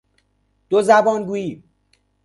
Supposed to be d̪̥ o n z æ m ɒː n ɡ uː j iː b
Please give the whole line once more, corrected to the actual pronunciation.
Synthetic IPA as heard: d̪̥ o z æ b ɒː n ɡ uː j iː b